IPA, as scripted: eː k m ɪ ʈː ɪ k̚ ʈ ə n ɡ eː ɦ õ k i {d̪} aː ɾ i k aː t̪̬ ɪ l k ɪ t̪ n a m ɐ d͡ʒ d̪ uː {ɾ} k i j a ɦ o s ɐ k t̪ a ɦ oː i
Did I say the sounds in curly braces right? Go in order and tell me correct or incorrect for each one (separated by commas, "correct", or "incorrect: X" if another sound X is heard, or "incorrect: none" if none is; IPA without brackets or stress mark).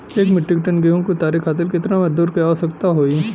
incorrect: t̪, correct